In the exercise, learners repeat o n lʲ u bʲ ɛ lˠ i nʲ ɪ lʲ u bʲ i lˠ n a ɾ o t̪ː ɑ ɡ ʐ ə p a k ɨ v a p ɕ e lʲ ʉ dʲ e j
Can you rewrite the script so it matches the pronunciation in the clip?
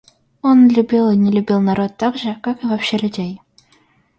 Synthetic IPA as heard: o n lʲ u bʲ i lˠ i nʲ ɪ lʲ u bʲ i lˠ n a ɾ o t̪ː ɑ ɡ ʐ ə k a k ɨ v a p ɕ e lʲ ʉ dʲ e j